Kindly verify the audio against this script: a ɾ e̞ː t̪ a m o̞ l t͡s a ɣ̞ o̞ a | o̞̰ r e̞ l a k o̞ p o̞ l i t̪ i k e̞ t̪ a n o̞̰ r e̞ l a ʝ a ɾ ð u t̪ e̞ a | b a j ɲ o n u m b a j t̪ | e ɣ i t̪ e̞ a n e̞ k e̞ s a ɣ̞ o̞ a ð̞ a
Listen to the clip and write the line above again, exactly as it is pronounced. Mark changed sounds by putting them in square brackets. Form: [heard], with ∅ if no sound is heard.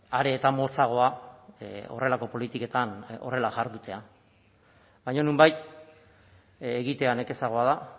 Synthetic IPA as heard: a ɾ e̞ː t̪ a m o̞ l t͡s a ɣ̞ o̞ a | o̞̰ r e̞ l a k o̞ p o̞ l i t̪ i k e̞ t̪ a n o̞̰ r e̞ l a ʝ a ɾ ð u t̪ e̞ a | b a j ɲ o n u m b a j t̪ | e ɣ i t̪ e̞ a n e̞ k e̞ s a ɣ̞ o̞ a ð̞ a